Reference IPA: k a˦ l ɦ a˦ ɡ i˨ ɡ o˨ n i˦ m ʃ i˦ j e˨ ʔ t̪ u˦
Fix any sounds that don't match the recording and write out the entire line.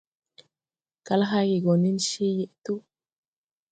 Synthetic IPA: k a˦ l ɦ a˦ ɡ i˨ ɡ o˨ n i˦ n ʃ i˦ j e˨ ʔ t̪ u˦